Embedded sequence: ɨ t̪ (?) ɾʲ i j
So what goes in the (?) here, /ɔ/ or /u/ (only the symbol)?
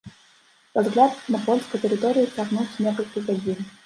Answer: ɔ